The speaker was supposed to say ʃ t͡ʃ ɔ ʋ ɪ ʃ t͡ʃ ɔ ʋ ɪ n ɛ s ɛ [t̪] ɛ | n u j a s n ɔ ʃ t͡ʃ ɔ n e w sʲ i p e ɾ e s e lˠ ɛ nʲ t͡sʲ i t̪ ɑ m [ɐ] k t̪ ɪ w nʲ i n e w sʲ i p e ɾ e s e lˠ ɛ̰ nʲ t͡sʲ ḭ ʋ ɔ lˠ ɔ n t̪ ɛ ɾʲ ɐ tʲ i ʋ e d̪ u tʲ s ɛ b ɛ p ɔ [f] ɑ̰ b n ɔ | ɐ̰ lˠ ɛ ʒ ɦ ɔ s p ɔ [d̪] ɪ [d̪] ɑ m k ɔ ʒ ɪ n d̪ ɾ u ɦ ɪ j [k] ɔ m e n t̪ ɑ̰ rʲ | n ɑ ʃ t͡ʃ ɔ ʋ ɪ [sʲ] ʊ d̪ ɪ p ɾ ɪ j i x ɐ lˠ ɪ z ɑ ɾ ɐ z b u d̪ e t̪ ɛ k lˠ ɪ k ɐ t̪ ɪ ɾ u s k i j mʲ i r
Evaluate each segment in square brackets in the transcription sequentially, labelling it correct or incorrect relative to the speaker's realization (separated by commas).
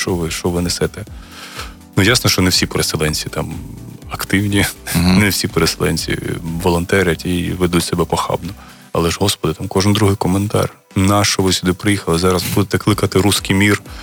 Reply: correct, correct, incorrect, correct, incorrect, correct, correct